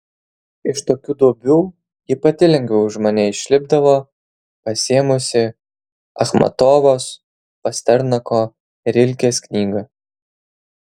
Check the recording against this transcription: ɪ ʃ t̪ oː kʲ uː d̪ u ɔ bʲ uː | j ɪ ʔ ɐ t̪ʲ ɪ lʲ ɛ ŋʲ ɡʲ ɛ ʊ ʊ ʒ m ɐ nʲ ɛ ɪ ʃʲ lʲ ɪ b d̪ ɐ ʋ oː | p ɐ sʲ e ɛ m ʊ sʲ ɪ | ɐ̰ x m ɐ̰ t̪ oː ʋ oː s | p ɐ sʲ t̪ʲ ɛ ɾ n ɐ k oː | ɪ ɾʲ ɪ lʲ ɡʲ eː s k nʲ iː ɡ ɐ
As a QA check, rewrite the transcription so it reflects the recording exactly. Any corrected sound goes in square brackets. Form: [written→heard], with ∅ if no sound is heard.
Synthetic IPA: ɪ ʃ t̪ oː kʲ uː d̪ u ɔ bʲ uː | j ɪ [ʔ→p] ɐ t̪ʲ ɪ lʲ ɛ ŋʲ ɡʲ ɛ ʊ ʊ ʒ m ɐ nʲ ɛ ɪ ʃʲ lʲ ɪ b d̪ ɐ ʋ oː | p ɐ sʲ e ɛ m ʊ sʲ ɪ | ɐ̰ x m ɐ̰ t̪ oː ʋ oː s | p ɐ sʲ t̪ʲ ɛ ɾ n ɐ k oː | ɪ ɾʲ ɪ lʲ [ɡʲ→kʲ] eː s k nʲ iː ɡ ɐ

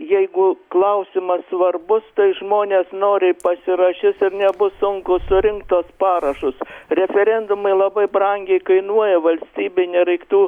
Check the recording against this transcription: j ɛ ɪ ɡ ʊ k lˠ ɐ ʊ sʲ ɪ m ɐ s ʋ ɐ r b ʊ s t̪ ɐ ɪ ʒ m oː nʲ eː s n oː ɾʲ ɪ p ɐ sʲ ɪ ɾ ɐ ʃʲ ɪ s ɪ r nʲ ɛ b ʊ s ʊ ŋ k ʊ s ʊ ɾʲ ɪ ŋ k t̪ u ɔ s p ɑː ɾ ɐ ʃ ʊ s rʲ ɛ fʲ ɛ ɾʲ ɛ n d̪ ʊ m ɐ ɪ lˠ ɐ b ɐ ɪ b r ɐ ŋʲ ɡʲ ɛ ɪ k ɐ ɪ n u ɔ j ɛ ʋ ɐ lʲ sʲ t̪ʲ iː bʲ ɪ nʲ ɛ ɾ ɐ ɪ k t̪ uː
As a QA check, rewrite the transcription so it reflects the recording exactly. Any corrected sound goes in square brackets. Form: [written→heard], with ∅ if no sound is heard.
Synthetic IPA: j ɛ ɪ ɡ ʊ k lˠ ɐ ʊ sʲ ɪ m ɐ s ʋ ɐ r b ʊ s t̪ ɐ ɪ ʒ m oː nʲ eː s n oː ɾʲ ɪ p ɐ sʲ ɪ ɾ ɐ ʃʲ ɪ s ɪ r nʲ ɛ b ʊ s ʊ ŋ k ʊ s ʊ ɾʲ ɪ ŋ k t̪ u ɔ s p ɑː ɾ ɐ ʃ ʊ s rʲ ɛ fʲ ɛ ɾʲ ɛ n d̪ ʊ m ɐ ɪ lˠ ɐ b ɐ ɪ b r ɐ ŋʲ ɡʲ ɛ ɪ k ɐ ɪ n u ɔ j ɛ ʋ ɐ lʲ sʲ t̪ʲ iː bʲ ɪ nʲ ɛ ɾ ɐ ɪ k t̪ uː

